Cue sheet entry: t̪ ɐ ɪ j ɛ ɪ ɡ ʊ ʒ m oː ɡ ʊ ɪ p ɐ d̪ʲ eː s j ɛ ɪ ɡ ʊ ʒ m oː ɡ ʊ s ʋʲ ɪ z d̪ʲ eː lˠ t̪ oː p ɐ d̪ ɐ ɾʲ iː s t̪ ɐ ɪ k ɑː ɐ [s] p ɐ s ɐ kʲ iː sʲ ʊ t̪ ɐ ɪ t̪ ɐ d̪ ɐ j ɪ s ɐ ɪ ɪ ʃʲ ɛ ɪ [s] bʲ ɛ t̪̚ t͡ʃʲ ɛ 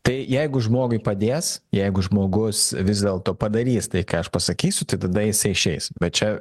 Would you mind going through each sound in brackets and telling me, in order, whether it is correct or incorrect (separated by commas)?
incorrect, correct